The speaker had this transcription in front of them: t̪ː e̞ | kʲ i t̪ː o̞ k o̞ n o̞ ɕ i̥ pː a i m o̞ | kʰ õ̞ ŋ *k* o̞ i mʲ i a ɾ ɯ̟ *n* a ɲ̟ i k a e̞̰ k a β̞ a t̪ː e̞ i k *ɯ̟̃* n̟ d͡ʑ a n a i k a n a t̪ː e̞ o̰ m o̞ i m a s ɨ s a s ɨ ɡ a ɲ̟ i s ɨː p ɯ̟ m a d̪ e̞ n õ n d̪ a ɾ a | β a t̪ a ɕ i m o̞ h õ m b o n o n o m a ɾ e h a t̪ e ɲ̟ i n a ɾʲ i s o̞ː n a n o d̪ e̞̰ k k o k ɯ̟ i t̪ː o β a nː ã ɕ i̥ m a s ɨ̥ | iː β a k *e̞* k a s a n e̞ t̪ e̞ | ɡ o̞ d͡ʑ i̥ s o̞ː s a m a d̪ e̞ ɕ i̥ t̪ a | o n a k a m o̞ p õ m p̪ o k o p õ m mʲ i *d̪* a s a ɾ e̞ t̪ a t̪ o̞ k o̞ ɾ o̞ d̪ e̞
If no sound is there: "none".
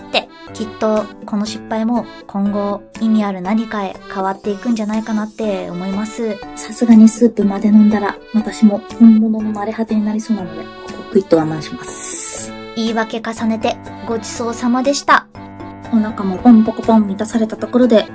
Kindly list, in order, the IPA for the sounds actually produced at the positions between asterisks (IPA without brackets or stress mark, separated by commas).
ɡ, n, ɯ̟̃, e̞, t̪